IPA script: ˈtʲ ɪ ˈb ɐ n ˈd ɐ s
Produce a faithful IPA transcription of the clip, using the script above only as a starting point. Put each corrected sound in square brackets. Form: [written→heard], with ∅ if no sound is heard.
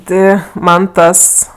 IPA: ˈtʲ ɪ [ˈb→ˈm] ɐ n [ˈd→ˈt] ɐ s

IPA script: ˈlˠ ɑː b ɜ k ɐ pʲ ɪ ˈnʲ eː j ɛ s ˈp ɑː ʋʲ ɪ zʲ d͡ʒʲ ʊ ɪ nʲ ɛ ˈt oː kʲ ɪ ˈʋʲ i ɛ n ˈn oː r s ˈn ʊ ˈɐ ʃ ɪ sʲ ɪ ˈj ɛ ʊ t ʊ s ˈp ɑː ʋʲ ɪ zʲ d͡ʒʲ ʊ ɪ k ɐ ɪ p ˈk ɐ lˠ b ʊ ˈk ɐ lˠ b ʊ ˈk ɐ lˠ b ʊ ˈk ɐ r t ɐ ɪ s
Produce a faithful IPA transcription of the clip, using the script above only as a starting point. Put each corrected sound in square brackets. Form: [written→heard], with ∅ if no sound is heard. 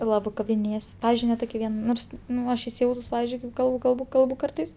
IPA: ˈlˠ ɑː b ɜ k ɐ [pʲ→bʲ] ɪ ˈnʲ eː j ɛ s ˈp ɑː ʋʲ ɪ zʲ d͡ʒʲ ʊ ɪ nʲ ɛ ˈt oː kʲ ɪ ˈʋʲ i ɛ n ˈn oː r s ˈn ʊ ˈɐ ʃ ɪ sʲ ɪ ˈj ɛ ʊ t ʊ s ˈp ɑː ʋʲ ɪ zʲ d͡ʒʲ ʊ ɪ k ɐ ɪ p ˈk ɐ lˠ b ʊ ˈk ɐ lˠ b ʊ ˈk ɐ lˠ b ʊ ˈk ɐ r t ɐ ɪ s

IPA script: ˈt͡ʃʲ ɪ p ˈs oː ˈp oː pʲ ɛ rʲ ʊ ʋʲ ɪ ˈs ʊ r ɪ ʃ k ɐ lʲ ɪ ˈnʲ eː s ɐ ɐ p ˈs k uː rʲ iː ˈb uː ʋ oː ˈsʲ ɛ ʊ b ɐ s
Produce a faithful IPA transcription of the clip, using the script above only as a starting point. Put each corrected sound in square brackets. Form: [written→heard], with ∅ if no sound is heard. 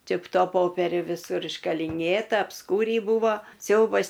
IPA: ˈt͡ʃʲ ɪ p [ˈs→ˈt] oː ˈp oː pʲ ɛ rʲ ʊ ʋʲ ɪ ˈs ʊ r ɪ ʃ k ɐ lʲ ɪ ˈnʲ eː [s→t] ɐ ɐ p ˈs k uː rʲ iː ˈb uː ʋ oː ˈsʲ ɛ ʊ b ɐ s

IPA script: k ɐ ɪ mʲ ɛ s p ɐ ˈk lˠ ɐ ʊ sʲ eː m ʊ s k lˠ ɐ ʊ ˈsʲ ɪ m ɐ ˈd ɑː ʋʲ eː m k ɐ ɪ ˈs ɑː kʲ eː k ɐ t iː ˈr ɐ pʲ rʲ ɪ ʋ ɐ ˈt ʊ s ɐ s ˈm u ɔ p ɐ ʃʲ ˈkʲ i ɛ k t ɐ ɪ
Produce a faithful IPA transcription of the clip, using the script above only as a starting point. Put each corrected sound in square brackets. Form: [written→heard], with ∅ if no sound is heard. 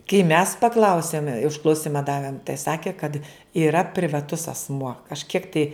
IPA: k ɐ ɪ mʲ ɛ s p ɐ ˈk lˠ ɐ ʊ sʲ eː m ʊ [s→ʃ] k lˠ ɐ ʊ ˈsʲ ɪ m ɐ ˈd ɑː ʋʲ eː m [k→t] ɐ ɪ ˈs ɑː kʲ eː k ɐ t iː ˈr ɐ pʲ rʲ ɪ ʋ ɐ ˈt ʊ s ɐ s ˈm u ɔ [p→k] ɐ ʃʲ ˈkʲ i ɛ k t ɐ ɪ

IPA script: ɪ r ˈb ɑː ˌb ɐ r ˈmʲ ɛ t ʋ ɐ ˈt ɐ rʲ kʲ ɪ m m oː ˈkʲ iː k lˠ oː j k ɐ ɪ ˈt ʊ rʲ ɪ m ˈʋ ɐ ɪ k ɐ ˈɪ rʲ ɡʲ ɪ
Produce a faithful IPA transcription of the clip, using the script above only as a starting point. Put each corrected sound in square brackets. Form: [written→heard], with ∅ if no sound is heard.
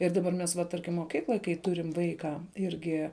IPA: ɪ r [ˈb→ˈd] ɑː ˌb ɐ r ˈmʲ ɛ [t→s] ʋ ɐ ˈt ɐ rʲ kʲ ɪ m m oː ˈkʲ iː k lˠ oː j k ɐ ɪ ˈt ʊ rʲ ɪ m ˈʋ ɐ ɪ k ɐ ˈɪ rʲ ɡʲ ɪ

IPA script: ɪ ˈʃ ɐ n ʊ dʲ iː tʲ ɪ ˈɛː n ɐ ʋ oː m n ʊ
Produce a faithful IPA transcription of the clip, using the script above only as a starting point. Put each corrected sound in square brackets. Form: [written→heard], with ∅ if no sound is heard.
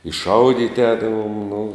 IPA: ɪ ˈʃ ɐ [n→∅] ʊ dʲ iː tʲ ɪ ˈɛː [n→d] ɐ ʋ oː m n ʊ

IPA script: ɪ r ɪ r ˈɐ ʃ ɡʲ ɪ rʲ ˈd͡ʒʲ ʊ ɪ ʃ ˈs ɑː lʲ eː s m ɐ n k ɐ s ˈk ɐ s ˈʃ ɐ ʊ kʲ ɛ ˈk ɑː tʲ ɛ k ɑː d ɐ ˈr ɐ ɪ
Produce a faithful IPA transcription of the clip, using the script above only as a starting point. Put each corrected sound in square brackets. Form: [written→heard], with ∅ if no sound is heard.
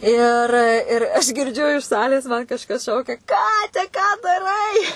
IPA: ɪ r ɪ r ˈɐ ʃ ɡʲ ɪ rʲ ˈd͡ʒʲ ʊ ɪ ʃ ˈs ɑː lʲ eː s m ɐ n k ɐ [s→ʃ] ˈk ɐ s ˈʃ ɐ ʊ kʲ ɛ ˈk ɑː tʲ ɛ k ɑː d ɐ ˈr ɐ ɪ

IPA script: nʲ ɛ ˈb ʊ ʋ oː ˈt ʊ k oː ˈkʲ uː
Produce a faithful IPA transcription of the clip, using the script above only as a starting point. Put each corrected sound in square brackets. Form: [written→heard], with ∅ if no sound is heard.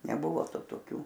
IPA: nʲ ɛ ˈb ʊ ʋ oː ˈt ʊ [k→t] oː ˈkʲ uː

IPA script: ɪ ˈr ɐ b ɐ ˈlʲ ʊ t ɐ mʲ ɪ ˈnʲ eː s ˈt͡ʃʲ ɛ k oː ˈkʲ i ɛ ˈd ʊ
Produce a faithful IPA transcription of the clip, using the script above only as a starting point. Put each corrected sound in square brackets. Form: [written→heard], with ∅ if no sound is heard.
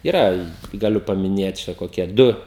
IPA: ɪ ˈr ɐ [b→ɡ] ɐ ˈlʲ ʊ [t→p] ɐ mʲ ɪ ˈnʲ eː [s→t] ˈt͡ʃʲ ɛ k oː ˈkʲ i ɛ ˈd ʊ

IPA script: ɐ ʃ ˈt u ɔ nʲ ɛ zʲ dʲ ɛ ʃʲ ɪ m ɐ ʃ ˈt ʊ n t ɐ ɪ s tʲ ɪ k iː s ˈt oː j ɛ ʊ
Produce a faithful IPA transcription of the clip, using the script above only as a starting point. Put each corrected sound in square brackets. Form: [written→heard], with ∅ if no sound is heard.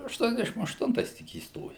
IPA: ɐ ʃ ˈt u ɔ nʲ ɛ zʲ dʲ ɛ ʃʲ ɪ m ɐ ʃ ˈt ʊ n t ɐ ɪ s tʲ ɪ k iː s ˈt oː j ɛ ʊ

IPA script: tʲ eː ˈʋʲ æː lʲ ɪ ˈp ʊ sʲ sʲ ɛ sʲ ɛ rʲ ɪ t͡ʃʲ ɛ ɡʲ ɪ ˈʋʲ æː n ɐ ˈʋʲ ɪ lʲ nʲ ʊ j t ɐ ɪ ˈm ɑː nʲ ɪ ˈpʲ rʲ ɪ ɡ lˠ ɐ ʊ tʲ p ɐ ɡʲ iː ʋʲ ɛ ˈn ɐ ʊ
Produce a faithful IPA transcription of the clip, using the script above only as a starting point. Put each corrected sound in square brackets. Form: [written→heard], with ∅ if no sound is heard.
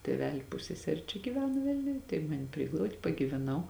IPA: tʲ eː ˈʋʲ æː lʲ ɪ ˈp ʊ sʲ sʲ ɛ sʲ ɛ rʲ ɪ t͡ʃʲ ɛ ɡʲ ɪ ˈʋʲ æː n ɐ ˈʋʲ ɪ lʲ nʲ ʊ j t ɐ ɪ ˈm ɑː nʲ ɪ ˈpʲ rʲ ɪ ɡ lˠ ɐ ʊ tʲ p ɐ ɡʲ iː ʋʲ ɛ ˈn ɐ ʊ

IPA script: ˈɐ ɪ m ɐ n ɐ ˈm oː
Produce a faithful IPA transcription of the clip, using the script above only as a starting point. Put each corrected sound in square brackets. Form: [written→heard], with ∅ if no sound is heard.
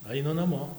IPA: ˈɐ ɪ [m→n] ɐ n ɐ ˈm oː

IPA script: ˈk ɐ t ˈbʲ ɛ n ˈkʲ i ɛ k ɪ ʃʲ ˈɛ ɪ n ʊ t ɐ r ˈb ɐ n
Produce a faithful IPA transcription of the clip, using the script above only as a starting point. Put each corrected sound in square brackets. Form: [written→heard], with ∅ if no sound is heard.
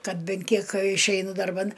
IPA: ˈk ɐ t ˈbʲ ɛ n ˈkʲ i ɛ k ɪ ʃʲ ˈɛ ɪ n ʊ [t→d] ɐ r ˈb ɐ n

